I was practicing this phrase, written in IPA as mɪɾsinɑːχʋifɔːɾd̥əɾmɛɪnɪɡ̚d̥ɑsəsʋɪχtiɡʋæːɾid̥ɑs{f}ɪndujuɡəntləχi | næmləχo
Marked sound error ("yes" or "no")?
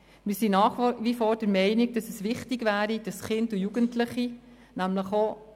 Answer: yes